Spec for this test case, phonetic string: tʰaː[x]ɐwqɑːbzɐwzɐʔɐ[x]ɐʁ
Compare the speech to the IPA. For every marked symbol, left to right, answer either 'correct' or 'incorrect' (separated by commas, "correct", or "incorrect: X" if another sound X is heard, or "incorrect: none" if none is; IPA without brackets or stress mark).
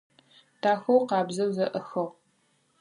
correct, correct